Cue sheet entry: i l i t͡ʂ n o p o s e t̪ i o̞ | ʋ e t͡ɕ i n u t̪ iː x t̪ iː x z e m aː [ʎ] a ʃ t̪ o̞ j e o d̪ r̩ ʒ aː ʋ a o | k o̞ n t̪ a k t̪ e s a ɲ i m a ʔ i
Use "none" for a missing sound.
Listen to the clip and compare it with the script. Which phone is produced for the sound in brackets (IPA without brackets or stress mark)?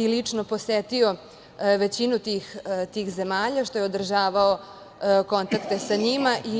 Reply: ʎ